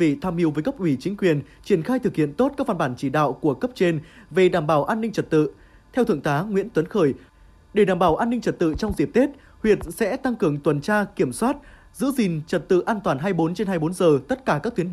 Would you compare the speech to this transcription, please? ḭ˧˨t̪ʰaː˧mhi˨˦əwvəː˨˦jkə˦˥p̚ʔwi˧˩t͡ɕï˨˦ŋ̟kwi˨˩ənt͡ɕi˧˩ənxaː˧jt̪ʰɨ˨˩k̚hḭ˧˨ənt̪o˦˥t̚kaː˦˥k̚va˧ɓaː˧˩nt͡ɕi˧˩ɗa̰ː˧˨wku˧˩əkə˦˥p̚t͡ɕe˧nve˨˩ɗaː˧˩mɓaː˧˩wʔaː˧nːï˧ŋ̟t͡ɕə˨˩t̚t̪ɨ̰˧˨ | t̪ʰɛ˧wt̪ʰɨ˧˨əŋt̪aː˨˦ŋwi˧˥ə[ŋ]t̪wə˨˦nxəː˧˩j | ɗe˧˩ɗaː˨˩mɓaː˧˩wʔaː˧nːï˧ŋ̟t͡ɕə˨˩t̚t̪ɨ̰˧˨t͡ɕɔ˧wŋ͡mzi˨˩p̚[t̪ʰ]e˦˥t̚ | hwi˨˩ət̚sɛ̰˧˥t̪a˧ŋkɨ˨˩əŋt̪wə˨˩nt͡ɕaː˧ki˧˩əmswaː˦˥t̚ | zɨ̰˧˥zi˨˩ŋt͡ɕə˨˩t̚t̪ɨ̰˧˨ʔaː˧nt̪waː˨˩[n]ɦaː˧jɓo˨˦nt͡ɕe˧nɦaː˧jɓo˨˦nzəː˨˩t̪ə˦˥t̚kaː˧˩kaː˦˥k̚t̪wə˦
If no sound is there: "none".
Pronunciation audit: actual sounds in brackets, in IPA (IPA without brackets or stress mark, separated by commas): n, t̪, n